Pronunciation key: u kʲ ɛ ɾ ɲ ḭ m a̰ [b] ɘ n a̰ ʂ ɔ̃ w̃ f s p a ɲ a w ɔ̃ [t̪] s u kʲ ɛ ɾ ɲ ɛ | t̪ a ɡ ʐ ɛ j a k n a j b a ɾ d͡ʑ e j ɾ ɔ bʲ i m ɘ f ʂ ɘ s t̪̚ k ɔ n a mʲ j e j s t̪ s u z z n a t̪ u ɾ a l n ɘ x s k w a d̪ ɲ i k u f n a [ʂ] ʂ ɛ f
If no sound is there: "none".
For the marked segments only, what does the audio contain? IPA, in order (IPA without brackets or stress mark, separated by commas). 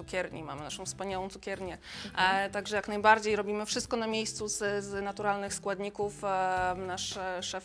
m, t̪, ʂ